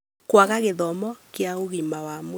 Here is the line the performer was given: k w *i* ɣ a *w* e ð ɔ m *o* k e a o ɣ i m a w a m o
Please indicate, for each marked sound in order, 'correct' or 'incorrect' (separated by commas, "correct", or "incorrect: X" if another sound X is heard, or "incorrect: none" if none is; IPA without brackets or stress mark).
incorrect: a, incorrect: ɣ, incorrect: ɔ